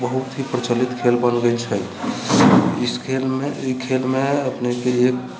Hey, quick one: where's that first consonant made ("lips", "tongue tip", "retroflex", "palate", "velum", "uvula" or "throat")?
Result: lips